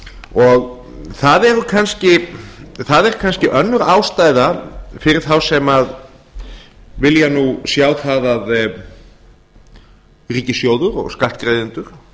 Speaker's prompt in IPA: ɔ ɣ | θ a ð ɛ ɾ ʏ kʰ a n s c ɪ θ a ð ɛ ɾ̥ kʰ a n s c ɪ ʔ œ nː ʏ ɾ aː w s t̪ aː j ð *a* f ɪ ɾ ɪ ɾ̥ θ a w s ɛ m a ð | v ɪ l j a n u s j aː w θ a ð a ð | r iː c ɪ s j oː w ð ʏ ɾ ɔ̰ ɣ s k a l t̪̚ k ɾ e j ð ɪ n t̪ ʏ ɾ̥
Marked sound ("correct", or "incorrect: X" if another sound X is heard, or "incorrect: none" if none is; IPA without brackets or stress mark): correct